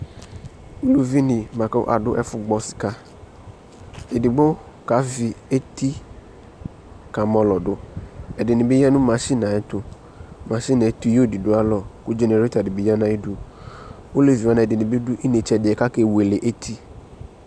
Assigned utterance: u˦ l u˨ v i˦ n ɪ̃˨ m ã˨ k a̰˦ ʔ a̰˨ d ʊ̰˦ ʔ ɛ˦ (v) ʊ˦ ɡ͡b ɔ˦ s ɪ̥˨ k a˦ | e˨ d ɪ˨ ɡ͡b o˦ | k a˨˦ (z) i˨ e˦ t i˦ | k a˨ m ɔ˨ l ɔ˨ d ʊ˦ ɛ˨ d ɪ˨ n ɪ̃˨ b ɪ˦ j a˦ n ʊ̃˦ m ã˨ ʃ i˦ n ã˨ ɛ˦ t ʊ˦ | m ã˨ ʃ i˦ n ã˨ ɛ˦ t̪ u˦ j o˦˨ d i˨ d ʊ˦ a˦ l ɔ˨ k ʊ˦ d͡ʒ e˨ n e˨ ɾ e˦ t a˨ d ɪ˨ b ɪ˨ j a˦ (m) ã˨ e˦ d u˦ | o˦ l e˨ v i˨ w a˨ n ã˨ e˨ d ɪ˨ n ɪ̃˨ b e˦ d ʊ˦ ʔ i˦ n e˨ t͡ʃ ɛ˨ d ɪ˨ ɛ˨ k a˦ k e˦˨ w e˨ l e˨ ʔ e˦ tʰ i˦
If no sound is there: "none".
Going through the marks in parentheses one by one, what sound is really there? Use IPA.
f, v, n

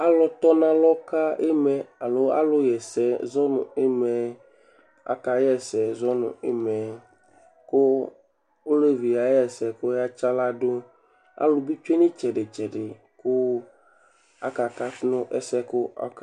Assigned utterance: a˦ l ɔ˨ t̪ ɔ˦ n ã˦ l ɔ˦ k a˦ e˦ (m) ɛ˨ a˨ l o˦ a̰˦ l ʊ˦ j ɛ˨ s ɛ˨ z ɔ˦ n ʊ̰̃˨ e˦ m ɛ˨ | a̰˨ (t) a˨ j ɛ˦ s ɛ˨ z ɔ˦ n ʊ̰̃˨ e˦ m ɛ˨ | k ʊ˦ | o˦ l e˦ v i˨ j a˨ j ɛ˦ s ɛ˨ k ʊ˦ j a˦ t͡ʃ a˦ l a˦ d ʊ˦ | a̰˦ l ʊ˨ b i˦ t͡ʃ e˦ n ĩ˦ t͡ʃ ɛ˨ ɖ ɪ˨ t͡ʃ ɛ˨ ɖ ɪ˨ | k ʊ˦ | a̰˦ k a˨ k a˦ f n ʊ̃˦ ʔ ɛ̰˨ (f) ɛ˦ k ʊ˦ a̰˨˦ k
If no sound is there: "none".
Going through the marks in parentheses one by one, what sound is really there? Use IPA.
m, k, s

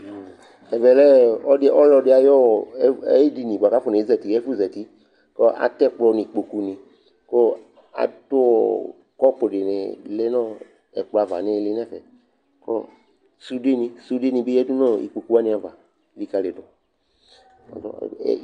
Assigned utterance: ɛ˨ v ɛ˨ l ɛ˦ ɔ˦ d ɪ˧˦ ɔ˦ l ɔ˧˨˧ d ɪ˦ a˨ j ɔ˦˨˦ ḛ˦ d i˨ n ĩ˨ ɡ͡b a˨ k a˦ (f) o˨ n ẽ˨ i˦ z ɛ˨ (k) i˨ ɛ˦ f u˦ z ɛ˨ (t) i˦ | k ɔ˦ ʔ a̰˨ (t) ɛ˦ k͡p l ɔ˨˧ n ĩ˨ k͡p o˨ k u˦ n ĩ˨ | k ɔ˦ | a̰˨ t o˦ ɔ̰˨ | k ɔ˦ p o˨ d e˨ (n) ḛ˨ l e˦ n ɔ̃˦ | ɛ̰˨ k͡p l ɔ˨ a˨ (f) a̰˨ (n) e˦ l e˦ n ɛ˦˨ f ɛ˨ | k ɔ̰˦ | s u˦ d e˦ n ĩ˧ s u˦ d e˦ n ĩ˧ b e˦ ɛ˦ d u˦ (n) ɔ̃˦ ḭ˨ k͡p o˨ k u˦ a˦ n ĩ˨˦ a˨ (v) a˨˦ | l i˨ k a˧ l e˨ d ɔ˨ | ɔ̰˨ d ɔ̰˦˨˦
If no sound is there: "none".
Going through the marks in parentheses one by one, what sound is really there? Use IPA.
f, t, t, t, n, v, n, n, v

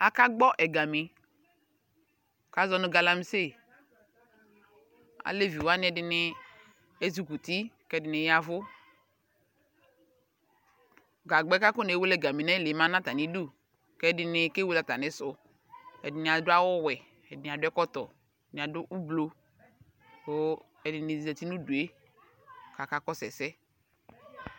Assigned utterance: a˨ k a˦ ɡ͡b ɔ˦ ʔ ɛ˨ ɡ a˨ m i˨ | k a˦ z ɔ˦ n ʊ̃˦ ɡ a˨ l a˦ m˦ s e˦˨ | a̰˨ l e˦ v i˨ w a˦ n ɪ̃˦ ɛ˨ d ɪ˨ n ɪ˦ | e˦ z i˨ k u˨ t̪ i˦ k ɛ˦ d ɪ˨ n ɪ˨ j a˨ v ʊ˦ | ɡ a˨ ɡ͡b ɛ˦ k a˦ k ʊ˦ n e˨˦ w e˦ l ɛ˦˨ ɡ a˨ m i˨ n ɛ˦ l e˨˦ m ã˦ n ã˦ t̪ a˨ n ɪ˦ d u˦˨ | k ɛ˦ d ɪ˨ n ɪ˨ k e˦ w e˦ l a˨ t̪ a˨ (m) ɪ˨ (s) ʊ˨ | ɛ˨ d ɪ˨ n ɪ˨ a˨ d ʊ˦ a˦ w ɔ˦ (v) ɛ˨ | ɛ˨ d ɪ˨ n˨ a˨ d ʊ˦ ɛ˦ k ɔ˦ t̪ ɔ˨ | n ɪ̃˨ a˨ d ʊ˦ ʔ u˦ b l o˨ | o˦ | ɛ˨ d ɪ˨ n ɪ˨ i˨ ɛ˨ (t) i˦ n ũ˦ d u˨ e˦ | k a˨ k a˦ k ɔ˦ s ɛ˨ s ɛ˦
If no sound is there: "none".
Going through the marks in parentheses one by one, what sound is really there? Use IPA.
n, s, w, t

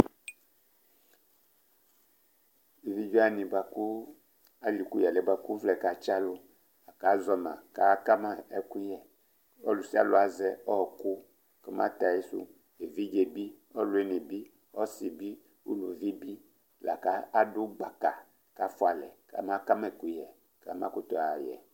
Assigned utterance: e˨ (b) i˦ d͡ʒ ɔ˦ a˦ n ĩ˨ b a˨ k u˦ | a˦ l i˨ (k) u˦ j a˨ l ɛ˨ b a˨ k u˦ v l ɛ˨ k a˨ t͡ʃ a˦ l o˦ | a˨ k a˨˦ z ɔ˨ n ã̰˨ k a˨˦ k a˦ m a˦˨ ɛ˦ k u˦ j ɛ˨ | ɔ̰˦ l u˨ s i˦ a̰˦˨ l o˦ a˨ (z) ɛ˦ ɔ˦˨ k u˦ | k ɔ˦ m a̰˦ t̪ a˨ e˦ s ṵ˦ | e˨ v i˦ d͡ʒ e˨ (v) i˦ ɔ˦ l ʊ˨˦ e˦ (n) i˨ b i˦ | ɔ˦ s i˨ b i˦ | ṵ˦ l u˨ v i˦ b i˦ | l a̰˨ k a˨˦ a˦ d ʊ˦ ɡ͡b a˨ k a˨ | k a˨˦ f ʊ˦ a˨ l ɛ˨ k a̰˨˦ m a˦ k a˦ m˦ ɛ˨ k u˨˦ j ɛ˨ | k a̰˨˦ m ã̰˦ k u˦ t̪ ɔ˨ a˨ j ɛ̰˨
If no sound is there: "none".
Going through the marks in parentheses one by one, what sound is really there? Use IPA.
v, k, z, b, n

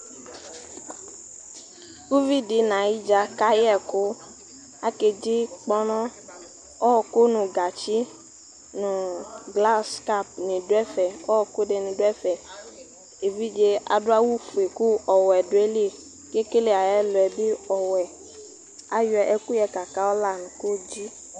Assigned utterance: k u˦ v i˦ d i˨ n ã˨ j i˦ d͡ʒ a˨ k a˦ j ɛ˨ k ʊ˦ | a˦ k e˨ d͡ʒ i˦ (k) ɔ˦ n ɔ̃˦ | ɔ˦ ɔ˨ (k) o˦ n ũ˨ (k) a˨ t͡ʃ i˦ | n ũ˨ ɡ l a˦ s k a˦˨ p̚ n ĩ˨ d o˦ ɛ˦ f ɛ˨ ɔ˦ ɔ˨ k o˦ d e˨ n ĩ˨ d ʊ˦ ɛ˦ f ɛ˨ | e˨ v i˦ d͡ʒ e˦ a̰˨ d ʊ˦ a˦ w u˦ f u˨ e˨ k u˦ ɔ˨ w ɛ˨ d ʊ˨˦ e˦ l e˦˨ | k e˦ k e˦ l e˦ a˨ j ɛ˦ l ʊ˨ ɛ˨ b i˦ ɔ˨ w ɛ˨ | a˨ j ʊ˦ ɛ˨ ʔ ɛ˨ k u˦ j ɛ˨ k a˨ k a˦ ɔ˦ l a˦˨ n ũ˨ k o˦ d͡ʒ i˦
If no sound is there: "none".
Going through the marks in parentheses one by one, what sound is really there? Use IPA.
k͡p, k, ɡ

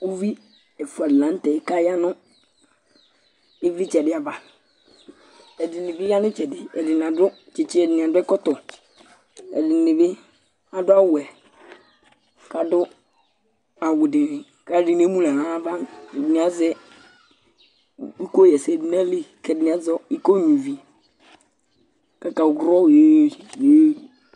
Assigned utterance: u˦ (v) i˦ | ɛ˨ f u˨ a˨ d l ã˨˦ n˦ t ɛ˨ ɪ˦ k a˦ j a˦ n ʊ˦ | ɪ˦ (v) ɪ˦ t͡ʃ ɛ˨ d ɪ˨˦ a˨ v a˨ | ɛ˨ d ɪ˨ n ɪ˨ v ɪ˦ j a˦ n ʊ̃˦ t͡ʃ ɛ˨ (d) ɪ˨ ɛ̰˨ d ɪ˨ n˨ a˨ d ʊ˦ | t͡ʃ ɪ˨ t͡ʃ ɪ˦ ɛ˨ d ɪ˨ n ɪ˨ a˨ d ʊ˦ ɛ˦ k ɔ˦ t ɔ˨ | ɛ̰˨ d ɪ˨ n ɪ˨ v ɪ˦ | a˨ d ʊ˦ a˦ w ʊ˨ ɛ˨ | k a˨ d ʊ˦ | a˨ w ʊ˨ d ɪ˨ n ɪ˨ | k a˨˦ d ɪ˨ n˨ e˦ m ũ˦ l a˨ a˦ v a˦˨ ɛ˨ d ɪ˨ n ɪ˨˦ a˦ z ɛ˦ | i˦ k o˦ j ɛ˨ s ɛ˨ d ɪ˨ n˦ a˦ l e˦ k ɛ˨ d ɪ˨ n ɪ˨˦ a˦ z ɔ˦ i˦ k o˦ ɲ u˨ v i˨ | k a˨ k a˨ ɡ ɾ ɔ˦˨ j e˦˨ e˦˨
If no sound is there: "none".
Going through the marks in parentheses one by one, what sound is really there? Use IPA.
v, v, d

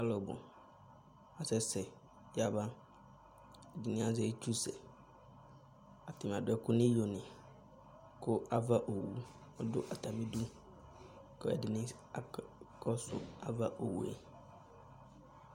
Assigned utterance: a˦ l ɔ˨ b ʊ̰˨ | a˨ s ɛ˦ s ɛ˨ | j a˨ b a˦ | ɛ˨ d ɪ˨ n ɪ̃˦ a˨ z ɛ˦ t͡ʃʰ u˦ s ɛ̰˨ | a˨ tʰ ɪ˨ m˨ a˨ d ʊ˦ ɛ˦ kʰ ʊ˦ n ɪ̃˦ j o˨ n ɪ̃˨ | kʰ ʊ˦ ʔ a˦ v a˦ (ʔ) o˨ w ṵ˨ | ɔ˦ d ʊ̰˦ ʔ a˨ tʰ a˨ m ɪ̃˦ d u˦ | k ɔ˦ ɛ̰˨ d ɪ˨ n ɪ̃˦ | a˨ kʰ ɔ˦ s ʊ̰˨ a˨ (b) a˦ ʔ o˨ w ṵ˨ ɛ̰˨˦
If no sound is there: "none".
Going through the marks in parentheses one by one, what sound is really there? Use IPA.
ʔ, v

